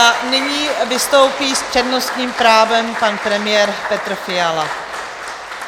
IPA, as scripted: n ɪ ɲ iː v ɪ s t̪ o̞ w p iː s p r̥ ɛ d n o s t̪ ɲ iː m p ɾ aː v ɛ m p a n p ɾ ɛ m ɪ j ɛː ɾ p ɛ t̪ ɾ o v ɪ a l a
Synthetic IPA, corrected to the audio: n ɪ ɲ iː v ɪ s t̪ o̞ w p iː s p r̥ ɛ d n o s t̪ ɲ iː m p ɾ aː v ɛ m p a n p ɾ ɛ m ɪ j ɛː ɾ p ɛ t̪ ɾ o f ɪ a l a